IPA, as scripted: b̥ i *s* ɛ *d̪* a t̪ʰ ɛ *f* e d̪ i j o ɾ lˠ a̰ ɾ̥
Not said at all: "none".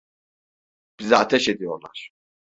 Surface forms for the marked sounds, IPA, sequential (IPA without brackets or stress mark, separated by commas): z, none, ʃ